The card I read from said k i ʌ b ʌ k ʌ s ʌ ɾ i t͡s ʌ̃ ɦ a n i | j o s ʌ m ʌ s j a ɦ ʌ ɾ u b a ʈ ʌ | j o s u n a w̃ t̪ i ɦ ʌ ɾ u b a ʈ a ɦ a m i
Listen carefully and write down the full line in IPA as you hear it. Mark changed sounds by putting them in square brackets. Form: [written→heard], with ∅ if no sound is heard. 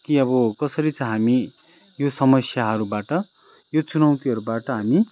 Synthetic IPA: k i ʌ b ʌ k ʌ s ʌ ɾ i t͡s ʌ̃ ɦ a [n→m] i | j o s ʌ m ʌ s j a ɦ ʌ ɾ u b a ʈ ʌ | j o [s→t͡s] u n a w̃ t̪ i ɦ ʌ ɾ u b a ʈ [a→ʌ] ɦ a m i